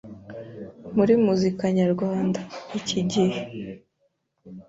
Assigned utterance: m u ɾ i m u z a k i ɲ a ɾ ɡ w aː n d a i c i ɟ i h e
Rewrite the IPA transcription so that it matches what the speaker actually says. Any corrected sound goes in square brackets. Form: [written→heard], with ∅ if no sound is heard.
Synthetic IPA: m u ɾ i m u z [a→i] k [i→a] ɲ a ɾ ɡ w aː n d a i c i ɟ i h e